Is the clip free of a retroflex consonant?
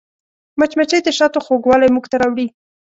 no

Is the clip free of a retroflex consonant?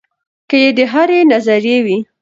yes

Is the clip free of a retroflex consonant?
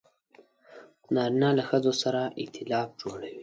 no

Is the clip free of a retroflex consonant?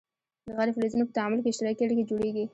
no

